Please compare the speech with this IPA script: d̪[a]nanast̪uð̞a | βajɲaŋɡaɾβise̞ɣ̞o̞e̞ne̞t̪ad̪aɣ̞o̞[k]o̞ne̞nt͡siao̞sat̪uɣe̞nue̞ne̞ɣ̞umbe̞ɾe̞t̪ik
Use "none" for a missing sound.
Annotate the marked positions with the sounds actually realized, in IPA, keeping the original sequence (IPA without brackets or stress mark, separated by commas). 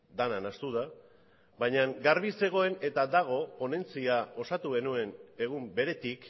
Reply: a, p